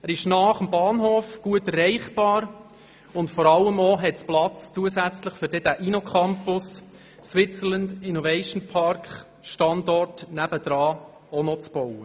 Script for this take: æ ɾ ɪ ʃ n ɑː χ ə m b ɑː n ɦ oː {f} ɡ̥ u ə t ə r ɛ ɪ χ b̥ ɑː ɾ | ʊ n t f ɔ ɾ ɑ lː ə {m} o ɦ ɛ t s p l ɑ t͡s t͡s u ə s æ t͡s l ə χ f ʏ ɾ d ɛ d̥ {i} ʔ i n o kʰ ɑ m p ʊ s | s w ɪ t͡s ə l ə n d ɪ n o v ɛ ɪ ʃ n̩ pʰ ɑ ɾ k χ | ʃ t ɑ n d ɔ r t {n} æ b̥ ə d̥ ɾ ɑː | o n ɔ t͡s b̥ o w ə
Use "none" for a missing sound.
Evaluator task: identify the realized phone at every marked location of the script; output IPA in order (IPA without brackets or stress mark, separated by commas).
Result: f, m, æ, n